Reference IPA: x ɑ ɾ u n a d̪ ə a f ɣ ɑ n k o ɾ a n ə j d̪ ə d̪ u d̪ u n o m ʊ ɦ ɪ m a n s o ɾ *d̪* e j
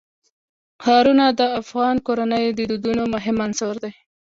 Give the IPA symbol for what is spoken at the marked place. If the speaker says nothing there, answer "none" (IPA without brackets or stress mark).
d̪